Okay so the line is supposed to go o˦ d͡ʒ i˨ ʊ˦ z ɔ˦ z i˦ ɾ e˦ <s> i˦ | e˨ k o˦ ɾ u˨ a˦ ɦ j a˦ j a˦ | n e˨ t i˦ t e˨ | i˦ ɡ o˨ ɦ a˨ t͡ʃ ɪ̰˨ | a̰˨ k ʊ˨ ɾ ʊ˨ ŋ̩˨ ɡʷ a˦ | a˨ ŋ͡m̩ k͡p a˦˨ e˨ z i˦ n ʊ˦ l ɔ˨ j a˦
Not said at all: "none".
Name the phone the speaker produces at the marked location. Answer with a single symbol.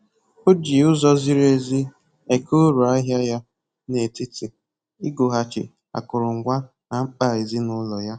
z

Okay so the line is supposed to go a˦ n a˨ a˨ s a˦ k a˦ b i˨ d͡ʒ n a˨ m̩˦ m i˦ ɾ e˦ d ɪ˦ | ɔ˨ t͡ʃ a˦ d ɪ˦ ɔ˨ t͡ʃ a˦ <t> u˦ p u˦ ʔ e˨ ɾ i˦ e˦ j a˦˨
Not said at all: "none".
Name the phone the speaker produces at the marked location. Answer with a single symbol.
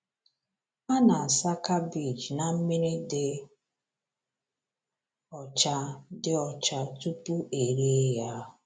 t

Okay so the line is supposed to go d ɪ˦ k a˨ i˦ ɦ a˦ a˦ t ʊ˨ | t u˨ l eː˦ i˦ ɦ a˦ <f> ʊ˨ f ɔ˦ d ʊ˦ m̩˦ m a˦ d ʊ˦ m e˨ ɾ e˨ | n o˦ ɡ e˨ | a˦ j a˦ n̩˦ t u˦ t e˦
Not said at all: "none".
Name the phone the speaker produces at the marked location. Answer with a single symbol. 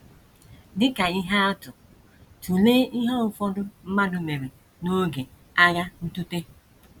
none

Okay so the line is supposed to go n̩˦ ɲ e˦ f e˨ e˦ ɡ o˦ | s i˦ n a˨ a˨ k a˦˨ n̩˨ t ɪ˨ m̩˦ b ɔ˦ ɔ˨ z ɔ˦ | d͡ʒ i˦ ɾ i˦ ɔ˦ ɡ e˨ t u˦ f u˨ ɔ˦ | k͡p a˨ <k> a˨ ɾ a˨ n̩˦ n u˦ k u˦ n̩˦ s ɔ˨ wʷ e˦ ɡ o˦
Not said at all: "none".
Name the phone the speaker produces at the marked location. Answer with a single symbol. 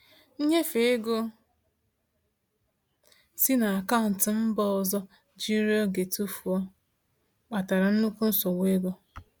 t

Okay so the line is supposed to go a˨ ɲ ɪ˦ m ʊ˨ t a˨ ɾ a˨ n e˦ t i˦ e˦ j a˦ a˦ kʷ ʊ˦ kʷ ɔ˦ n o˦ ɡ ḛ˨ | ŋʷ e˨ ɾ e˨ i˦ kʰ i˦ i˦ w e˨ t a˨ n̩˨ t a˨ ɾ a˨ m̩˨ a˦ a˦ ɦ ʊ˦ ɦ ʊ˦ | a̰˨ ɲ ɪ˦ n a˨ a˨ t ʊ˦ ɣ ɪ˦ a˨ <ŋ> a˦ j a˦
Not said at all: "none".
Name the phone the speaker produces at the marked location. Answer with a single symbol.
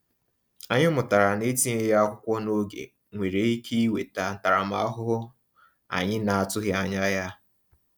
ɲ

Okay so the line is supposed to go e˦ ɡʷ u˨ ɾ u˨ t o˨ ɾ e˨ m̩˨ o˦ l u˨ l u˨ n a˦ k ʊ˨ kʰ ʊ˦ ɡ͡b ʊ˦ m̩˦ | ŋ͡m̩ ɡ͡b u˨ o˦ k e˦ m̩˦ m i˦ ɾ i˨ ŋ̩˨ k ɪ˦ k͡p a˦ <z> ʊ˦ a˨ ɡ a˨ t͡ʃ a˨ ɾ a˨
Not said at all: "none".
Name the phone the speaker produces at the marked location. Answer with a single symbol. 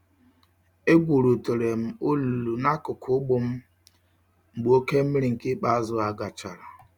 z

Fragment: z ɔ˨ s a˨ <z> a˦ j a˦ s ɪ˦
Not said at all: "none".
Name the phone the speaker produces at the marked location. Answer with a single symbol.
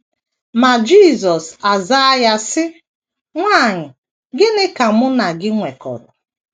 z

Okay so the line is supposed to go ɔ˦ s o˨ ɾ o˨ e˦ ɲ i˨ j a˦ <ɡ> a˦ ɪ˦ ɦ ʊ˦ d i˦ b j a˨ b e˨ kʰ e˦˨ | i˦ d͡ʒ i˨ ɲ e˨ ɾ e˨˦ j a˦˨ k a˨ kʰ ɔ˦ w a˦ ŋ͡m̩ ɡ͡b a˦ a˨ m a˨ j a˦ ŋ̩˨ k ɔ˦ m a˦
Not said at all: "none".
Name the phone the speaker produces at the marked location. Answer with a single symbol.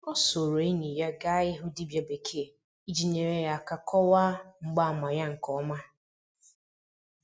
ɡ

